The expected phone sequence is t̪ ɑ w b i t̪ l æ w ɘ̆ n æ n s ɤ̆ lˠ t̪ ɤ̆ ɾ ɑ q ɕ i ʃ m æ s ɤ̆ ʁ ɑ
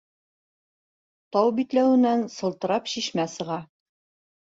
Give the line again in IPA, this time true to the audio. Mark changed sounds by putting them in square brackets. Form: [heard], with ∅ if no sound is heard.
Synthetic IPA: t̪ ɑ w b i t̪ l æ w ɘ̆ n æ n s ɤ̆ lˠ t̪ ɤ̆ ɾ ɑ [p] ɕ i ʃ m æ s ɤ̆ ʁ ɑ